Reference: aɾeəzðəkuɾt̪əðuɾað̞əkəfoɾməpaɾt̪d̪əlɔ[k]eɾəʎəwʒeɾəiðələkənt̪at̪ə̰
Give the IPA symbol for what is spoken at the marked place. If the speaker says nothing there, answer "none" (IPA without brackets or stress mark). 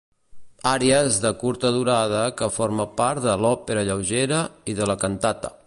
p